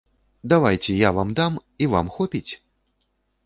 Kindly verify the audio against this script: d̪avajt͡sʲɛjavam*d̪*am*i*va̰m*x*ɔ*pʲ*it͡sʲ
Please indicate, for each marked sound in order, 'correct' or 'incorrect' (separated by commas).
correct, correct, correct, correct